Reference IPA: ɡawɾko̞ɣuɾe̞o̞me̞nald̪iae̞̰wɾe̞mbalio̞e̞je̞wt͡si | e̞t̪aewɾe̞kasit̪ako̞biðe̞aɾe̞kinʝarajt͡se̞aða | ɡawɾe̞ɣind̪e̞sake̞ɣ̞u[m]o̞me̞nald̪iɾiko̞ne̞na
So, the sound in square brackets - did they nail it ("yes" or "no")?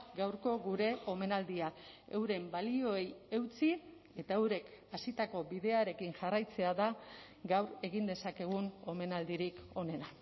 no